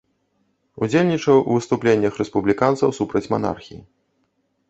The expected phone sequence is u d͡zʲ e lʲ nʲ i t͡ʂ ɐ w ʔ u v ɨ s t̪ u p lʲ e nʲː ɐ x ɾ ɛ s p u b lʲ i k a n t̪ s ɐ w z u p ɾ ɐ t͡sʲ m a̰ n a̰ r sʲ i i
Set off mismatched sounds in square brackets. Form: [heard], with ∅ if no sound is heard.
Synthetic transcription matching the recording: u d͡zʲ e lʲ nʲ i t͡ʂ ɐ w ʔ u v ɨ s t̪ u p lʲ e nʲː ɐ x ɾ ɛ s p u b lʲ i k a n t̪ s ɐ w [s] u p ɾ ɐ t͡sʲ m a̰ n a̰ r [xʲ] i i